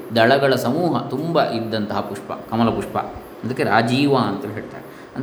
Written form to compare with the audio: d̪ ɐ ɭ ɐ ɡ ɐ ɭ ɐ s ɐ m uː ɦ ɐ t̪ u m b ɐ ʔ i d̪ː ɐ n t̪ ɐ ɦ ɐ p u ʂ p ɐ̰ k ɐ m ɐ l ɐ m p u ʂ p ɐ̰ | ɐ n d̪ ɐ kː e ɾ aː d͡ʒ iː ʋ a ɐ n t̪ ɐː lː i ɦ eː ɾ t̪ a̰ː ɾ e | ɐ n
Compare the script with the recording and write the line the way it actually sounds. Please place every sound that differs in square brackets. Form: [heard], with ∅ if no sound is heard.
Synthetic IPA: d̪ ɐ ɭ ɐ ɡ ɐ ɭ ɐ s ɐ m uː ɦ ɐ t̪ u m b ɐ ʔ i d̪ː ɐ n t̪ ɐ ɦ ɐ p u ʂ p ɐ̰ k ɐ m ɐ l ɐ [∅] p u ʂ p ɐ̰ | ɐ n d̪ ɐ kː e ɾ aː d͡ʒ iː ʋ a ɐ n t̪ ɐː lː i ɦ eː [ɭ] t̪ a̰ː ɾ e | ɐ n